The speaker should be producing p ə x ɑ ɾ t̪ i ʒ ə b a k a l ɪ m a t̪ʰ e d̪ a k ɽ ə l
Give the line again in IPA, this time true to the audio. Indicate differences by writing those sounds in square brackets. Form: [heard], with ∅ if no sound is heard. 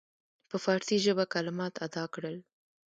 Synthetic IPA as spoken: p ə [f] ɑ ɾ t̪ i ʒ ə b a k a l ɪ m [ɑ] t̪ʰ [a] d̪ [ɑ] k ɽ ə l